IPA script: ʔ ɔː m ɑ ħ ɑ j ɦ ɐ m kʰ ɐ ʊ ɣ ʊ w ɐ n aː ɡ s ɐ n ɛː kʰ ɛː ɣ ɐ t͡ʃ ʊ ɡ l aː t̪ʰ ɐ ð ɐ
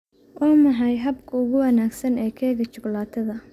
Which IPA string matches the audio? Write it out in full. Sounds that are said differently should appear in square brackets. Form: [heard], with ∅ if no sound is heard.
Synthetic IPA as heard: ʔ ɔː m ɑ ħ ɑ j ɦ ɐ [b] kʰ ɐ ʊ ɣ ʊ w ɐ n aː ɡ s ɐ n ɛː kʰ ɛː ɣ ɐ t͡ʃ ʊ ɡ l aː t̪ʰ ɐ ð ɐ